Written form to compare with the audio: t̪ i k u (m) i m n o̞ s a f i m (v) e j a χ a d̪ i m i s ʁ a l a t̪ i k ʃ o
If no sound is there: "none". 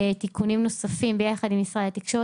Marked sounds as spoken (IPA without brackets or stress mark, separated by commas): n, b